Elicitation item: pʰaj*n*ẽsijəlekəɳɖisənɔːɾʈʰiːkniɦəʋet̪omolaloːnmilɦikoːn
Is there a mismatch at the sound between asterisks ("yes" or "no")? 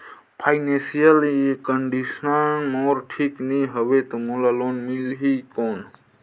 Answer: no